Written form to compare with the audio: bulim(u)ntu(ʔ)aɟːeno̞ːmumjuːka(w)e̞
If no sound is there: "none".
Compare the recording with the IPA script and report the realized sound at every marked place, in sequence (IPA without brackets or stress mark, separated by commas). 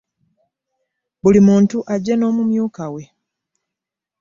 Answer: uː, ʔ, w